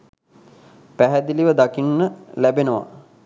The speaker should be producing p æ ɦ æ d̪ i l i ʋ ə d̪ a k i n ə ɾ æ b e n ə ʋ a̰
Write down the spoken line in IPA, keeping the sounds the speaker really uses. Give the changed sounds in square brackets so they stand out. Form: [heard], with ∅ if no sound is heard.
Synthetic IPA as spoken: p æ ɦ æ d̪ i l i ʋ ə d̪ a k i [nː] ə [l] æ b e n ə ʋ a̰